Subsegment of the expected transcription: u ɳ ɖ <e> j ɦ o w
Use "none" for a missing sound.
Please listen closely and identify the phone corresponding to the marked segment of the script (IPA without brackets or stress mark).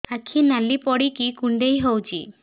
e